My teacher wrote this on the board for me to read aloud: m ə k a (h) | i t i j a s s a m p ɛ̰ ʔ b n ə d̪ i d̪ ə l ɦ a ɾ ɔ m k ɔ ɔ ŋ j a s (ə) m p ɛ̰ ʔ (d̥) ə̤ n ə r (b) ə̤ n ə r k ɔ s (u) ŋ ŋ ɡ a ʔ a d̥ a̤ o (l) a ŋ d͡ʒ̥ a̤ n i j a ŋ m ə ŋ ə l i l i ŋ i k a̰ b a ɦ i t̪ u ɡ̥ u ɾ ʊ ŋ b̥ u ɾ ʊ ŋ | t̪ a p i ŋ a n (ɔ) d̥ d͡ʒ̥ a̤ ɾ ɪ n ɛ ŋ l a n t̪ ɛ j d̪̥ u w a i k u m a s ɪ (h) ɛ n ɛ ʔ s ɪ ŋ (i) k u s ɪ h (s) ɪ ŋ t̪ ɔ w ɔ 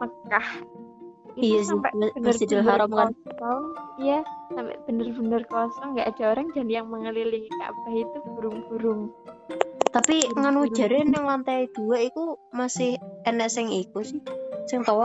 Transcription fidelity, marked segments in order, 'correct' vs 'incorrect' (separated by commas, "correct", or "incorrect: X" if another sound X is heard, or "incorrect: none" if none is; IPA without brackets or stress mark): correct, incorrect: a, incorrect: b̥, correct, incorrect: ɔ, incorrect: ɾ, incorrect: u, correct, correct, correct